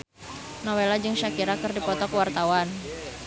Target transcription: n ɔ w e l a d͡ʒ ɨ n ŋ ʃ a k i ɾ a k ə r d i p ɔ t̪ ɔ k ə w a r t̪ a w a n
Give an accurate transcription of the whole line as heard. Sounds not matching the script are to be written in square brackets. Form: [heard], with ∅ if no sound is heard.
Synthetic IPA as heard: n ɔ w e l a d͡ʒ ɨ [∅] ŋ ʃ a k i ɾ a k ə r d i p ɔ t̪ ɔ k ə w a r t̪ a w a n

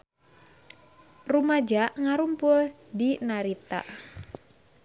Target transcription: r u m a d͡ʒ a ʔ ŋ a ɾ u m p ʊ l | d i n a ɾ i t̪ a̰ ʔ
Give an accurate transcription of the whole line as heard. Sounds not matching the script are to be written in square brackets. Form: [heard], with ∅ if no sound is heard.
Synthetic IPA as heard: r u m a d͡ʒ a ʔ ŋ a ɾ u m p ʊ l | d i n a ɾ i t̪ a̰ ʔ

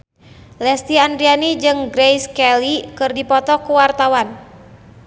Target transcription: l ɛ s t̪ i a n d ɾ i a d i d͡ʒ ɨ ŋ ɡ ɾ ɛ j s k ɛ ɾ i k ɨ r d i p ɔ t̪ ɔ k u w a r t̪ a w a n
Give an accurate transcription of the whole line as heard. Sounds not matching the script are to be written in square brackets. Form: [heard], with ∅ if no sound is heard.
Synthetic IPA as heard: l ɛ s t̪ i a n d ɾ i a [n] i d͡ʒ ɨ ŋ ɡ ɾ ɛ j s k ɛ [l] i k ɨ r d i p ɔ t̪ ɔ k u w a r t̪ a w a n

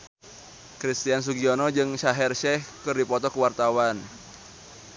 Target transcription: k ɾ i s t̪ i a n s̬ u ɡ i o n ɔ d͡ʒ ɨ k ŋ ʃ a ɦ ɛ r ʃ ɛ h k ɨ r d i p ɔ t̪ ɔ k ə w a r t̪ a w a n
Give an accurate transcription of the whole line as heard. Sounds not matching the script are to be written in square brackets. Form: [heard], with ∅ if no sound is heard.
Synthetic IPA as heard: k ɾ i s t̪ i a n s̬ u ɡ i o n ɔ d͡ʒ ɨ [∅] ŋ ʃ a ɦ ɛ r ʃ ɛ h k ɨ r d i p ɔ t̪ ɔ k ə w a r t̪ a w a n

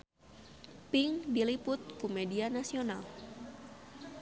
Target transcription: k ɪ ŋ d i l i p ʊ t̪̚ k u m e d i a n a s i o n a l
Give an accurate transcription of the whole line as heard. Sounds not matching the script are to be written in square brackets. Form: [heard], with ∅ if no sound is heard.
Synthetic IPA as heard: [p] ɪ ŋ d i l i p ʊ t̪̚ k u m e d i a n a s i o n a l

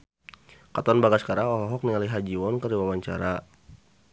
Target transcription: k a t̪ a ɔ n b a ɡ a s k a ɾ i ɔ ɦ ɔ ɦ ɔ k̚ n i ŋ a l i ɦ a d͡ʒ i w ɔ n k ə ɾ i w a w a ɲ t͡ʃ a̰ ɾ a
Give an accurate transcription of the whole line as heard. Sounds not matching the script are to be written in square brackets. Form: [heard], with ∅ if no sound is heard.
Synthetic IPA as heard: k a t̪ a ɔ n b a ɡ a s k a ɾ [a] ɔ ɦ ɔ ɦ ɔ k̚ n i ŋ a l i ɦ a d͡ʒ i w ɔ n k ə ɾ i w a w a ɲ t͡ʃ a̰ ɾ a

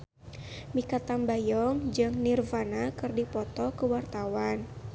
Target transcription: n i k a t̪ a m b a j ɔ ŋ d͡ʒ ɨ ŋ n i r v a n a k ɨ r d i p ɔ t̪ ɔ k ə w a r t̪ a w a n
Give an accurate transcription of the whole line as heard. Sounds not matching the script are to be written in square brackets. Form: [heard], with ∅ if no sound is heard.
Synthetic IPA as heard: [m] i k a t̪ a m b a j ɔ ŋ d͡ʒ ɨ ŋ n i r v a n a k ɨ r d i p ɔ t̪ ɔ k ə w a r t̪ a w a n

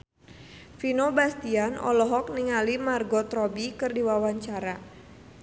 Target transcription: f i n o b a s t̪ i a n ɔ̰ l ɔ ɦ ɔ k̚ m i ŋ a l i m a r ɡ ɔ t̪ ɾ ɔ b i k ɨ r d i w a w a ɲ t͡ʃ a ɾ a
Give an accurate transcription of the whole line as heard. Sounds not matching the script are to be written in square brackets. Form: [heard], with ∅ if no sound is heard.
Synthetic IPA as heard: f i n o b a s t̪ i a n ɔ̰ l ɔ ɦ ɔ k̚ [n] i ŋ a l i m a r ɡ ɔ t̪ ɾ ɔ b i k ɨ r d i w a w a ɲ t͡ʃ a ɾ a

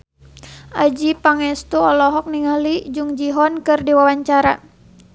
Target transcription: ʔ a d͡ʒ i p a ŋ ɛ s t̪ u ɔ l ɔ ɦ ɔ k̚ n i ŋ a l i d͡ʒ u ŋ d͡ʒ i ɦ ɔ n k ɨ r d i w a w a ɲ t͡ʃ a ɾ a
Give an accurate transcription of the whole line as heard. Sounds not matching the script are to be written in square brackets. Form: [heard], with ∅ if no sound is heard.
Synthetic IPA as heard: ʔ a d͡ʒ i p a ŋ ɛ s t̪ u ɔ l ɔ ɦ ɔ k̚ n i ŋ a l i d͡ʒ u ŋ d͡ʒ i ɦ ɔ n k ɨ r d i w a w a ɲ t͡ʃ a ɾ a

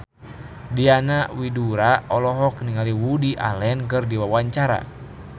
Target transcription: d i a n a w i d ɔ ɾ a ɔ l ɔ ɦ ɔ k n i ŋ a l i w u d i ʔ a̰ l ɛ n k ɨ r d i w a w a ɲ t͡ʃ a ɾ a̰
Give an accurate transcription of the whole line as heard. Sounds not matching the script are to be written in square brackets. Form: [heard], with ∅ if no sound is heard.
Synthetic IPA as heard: d i a n a w i d [u] ɾ a ɔ l ɔ ɦ ɔ k n i ŋ a l i w u d i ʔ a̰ l ɛ n k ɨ r d i w a w a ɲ t͡ʃ a ɾ a̰

